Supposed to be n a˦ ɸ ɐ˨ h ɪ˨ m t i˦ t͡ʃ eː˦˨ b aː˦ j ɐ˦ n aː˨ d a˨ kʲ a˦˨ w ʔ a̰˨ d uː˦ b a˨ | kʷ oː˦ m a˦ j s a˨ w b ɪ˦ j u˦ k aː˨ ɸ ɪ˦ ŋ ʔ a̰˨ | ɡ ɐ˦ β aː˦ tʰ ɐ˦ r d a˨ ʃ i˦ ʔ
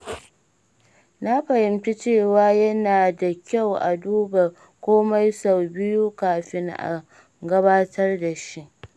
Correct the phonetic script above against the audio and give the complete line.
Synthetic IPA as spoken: n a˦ ɸ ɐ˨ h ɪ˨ m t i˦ t͡ʃ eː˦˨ w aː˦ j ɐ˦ n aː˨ d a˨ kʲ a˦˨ w ʔ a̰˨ d uː˦ b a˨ | kʷ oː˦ m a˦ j s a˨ w b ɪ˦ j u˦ k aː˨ ɸ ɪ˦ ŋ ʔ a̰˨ | ɡ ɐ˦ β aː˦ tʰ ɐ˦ r d a˨ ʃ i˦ ʔ